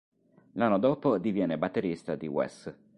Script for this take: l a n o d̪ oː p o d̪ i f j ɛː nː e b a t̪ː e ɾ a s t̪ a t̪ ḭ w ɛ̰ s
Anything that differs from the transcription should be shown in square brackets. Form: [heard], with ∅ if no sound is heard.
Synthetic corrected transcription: l a [nː] o d̪ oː p o d̪ i [v] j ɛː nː e b a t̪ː e ɾ [i] s t̪ a [d̪] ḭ w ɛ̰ s

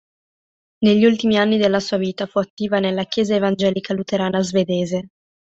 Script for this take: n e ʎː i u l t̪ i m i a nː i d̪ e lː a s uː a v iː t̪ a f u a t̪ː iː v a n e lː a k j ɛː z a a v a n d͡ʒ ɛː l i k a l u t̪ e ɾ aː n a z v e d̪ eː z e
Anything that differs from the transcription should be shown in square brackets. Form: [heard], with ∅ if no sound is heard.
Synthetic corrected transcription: n e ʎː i u l t̪ i m i a nː i d̪ e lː a s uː a v iː t̪ a f u a t̪ː iː v a n e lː a k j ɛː z a [e] v a n d͡ʒ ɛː l i k a l u t̪ e ɾ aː n a z v e d̪ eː z e

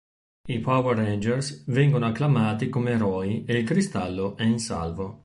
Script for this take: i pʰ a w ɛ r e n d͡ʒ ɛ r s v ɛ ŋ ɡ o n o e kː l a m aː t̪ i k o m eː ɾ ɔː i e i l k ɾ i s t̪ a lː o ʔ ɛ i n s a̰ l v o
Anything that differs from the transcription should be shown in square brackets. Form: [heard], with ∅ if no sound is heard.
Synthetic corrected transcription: i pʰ a w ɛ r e n d͡ʒ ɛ r s v ɛ ŋ ɡ o n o [a] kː l a m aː t̪ i k o m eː ɾ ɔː i e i l k ɾ i s t̪ a lː o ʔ ɛ i n s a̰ l v o

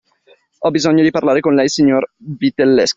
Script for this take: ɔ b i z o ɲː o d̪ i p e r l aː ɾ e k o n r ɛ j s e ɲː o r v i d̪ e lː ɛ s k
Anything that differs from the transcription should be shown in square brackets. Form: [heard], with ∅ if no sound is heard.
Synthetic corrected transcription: ɔ b i z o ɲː o d̪ i p [a] r l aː ɾ e k o n [l] ɛ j s [i] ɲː o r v i [t̪] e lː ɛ s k

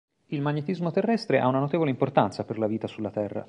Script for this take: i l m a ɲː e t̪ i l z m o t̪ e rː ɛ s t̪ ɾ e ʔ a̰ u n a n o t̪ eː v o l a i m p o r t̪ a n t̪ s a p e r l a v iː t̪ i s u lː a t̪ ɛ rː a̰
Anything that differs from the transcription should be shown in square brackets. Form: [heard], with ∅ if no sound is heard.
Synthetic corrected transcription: i l m a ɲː e t̪ i [∅] z m o t̪ e rː ɛ s t̪ ɾ e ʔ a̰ u n a n o t̪ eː v o l [e] i m p o r t̪ a n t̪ s a p e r l a v iː t̪ [a] s u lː a t̪ ɛ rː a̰

